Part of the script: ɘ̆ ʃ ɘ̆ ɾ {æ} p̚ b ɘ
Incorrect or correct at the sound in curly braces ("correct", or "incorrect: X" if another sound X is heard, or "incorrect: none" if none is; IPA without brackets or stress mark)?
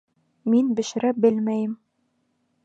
correct